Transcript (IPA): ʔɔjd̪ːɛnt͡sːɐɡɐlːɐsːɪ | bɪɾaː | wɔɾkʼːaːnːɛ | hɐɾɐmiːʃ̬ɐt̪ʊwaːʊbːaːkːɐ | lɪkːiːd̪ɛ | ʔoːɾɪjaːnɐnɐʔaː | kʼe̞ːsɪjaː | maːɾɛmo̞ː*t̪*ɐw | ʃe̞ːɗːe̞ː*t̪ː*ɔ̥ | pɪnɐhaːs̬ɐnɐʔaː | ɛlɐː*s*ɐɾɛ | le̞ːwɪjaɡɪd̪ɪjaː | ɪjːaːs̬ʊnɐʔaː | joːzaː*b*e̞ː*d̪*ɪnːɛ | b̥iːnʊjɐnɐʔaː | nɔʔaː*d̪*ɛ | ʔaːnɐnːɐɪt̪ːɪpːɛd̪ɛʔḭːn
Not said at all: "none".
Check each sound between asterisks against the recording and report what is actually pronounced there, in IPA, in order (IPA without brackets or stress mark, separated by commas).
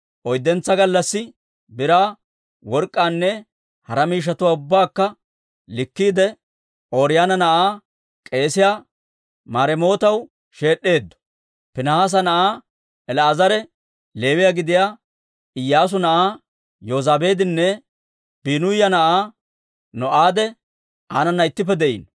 t̪, d̪ː, z, b, d̪, d̪